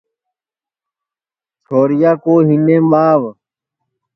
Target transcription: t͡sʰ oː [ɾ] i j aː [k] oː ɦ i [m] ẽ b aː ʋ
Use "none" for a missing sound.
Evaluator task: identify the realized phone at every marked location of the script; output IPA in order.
ɾ, k, n

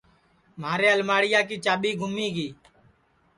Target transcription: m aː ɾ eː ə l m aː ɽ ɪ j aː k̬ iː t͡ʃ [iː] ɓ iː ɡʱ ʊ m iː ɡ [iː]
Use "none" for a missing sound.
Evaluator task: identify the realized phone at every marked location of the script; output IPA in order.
aː, iː

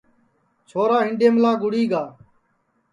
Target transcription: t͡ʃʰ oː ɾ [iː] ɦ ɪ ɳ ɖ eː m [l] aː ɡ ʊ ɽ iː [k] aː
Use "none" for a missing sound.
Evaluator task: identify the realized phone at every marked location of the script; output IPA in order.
aː, l, ɡ

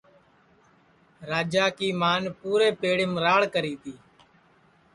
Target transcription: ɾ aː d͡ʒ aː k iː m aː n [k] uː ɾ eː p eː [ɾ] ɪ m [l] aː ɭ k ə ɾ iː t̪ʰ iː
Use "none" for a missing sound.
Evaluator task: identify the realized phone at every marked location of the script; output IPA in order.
p, ɽ, ɾ

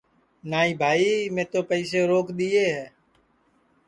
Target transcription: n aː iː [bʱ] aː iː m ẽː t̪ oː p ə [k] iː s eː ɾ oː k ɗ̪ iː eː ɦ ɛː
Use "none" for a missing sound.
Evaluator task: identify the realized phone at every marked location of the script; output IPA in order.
bʱ, none

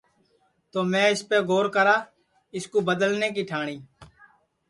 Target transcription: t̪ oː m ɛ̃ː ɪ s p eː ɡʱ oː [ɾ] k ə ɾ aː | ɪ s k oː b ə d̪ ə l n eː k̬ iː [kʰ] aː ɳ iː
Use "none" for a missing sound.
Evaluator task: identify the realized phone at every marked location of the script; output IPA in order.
ɾ, ʈʰ

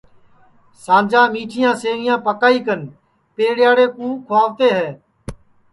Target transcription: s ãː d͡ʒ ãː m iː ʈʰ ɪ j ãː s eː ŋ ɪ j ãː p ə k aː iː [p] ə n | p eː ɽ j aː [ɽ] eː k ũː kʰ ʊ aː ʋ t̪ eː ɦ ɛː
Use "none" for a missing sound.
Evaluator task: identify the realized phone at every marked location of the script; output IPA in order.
k, ɽ

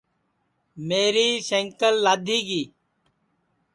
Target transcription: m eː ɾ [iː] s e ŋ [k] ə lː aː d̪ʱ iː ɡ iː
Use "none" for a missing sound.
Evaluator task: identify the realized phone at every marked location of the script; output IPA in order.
iː, k

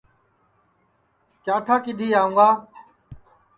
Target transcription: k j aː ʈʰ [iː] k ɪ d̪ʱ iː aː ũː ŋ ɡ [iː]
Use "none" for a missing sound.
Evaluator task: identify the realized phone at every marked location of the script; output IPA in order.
aː, aː

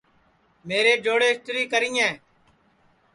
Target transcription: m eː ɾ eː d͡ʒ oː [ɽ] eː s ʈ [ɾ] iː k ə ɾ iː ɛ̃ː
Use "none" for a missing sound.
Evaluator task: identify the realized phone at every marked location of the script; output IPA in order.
ɽ, ɾ

